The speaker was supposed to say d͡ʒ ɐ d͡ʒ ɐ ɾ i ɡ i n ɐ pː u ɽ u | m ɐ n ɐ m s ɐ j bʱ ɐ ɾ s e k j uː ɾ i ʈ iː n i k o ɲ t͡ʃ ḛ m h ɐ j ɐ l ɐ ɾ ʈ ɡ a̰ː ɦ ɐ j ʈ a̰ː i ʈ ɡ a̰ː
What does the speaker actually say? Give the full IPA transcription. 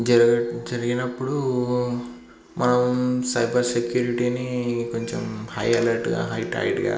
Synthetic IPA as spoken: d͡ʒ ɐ d͡ʒ ɐ ɾ i ɡ i n ɐ pː u ɽ u | m ɐ n ɐ m s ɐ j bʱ ɐ ɾ s e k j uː ɾ i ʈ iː n i k o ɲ t͡ʃ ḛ m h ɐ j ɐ l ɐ ɾ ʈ ɡ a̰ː ɦ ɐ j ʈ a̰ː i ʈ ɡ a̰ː